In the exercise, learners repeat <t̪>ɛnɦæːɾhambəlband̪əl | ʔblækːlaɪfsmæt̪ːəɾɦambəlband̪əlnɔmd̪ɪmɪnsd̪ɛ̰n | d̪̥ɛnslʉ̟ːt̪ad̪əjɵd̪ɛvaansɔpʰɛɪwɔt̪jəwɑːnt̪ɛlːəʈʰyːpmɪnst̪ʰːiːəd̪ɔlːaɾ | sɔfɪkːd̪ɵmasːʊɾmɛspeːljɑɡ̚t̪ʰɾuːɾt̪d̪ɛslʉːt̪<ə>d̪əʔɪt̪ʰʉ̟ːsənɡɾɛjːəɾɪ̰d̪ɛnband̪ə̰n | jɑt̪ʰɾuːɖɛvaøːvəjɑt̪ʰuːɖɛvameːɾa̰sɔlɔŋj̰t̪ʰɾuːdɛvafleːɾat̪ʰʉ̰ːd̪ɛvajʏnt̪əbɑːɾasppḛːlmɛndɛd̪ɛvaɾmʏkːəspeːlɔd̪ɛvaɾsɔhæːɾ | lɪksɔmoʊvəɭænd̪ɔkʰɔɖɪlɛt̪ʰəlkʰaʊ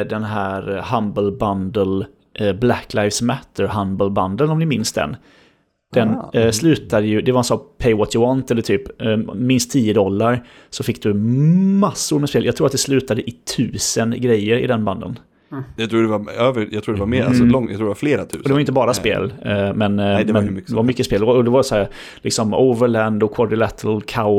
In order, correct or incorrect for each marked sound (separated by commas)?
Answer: incorrect, incorrect